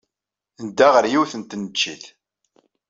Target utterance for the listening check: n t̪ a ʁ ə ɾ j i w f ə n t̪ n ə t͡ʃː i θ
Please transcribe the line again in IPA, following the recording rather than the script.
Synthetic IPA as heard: n d̪ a ʁ ə ɾ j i w θ ə n t̪ n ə t͡ʃː i θ